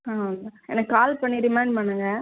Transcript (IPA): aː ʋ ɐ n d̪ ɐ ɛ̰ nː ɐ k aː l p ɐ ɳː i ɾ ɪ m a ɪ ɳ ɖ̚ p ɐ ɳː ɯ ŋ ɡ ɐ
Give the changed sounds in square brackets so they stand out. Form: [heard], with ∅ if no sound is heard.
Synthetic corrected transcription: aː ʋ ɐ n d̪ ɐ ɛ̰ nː ɐ k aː l p ɐ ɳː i ɾ ɪ m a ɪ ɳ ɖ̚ p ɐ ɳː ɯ ŋ ɡ ɐ